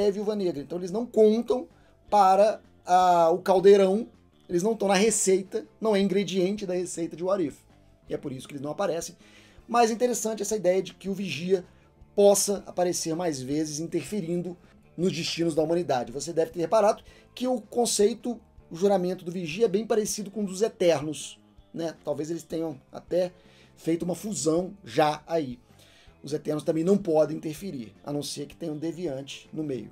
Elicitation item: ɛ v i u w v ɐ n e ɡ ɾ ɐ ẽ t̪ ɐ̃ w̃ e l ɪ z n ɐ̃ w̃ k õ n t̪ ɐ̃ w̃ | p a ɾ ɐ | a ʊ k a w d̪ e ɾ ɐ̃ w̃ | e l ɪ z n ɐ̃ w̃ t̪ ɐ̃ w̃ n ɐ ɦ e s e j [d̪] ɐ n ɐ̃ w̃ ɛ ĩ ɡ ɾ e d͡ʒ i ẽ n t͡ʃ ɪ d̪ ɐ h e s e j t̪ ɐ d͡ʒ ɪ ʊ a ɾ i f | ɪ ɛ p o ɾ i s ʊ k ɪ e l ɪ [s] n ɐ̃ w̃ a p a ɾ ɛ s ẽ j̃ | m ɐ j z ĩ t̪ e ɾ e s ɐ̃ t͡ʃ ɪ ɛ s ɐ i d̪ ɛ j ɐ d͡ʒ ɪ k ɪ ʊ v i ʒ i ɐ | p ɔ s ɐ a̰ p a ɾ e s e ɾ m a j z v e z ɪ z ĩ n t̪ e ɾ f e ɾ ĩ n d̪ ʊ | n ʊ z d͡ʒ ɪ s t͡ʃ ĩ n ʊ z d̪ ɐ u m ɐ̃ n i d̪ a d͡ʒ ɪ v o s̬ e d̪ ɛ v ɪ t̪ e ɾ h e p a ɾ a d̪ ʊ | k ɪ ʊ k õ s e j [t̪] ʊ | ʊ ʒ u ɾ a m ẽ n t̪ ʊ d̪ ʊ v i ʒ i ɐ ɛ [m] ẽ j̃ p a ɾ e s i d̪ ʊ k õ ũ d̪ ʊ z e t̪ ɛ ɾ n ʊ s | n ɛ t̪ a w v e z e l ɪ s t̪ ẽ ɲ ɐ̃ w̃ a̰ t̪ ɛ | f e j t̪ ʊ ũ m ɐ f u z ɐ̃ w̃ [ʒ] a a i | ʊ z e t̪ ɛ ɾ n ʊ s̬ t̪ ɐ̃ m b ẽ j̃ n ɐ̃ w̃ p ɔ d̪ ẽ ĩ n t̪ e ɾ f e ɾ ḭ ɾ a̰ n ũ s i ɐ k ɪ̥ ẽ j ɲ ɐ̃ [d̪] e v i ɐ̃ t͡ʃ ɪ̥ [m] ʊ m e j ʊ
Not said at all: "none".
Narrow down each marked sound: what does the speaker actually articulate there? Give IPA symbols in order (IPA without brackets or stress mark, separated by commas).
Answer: t̪, z, t̪, b, ʒ, d̪, n